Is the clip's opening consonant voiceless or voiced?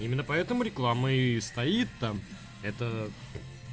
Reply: voiced